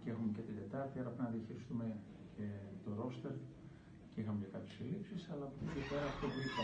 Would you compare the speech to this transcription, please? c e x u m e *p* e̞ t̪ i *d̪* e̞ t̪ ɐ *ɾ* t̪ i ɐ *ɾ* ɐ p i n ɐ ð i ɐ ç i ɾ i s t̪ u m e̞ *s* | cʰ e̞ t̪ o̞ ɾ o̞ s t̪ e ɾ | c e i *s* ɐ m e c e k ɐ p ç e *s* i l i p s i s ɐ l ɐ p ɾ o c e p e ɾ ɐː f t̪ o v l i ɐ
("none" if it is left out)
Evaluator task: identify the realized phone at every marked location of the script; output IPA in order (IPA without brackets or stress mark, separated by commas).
c, d̪, ɾ, ɾ, none, x, s